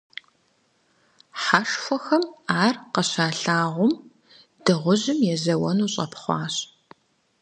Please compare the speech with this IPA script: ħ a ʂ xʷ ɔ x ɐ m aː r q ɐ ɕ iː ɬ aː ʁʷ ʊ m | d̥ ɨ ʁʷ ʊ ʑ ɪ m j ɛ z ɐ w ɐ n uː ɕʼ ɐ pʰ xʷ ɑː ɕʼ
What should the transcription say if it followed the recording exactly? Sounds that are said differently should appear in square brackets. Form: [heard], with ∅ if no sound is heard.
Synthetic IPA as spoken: ħ a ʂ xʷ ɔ x ɐ m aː r q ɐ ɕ [aː] ɬ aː ʁʷ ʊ m | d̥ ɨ ʁʷ ʊ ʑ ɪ m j ɛ z ɐ w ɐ n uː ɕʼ ɐ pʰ [χʷ] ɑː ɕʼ